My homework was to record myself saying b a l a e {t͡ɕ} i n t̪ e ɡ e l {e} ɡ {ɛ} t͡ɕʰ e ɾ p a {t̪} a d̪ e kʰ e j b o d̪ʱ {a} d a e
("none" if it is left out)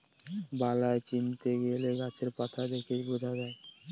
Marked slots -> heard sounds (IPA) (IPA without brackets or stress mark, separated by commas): t͡ɕ, e, a, t̪ʰ, a